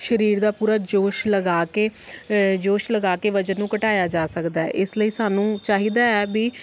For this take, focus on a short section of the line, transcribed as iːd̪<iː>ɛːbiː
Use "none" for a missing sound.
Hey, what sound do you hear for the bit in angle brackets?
aː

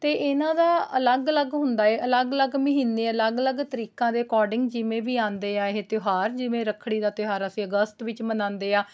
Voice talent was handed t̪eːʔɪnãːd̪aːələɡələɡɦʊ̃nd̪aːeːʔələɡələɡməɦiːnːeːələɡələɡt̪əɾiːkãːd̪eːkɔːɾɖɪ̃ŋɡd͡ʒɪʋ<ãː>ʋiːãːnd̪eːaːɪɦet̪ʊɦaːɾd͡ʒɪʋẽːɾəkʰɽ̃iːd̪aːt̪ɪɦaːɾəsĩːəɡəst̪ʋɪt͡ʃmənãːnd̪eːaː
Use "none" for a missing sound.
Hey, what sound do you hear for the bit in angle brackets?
ẽː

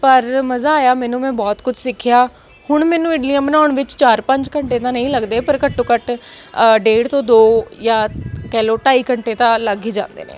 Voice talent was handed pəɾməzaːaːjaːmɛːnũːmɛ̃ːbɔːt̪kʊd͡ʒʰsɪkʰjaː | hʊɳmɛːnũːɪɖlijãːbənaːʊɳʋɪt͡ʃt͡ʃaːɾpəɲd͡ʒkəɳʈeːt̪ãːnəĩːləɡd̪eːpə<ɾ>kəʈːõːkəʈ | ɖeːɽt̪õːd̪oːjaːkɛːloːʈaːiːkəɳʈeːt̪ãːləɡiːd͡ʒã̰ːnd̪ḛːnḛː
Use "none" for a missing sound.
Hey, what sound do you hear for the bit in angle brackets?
ɾ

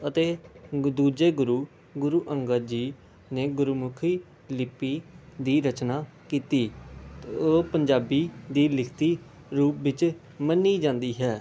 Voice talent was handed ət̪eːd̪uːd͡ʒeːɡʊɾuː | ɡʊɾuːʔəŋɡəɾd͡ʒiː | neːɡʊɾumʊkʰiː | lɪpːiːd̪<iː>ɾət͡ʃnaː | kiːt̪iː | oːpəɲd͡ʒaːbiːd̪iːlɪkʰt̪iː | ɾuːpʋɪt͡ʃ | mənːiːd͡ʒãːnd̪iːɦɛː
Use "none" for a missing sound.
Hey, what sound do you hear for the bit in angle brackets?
iː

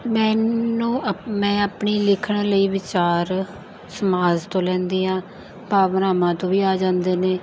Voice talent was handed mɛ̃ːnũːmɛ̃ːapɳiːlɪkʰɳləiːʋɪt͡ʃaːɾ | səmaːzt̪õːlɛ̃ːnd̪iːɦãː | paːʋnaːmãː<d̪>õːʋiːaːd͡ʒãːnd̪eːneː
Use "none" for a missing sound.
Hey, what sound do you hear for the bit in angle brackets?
t̪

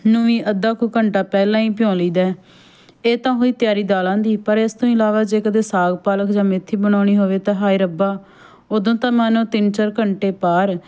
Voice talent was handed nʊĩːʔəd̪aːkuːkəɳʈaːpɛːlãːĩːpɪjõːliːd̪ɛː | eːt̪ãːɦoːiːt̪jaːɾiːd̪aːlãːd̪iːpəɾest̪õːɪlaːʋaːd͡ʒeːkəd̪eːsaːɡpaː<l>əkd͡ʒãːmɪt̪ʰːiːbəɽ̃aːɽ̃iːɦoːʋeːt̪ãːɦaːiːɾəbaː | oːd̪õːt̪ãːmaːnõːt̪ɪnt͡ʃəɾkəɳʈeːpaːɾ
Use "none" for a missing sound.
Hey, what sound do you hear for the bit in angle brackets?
l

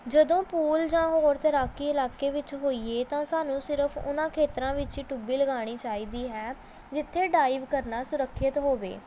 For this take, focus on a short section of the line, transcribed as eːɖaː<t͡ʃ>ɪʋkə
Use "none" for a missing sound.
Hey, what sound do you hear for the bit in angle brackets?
none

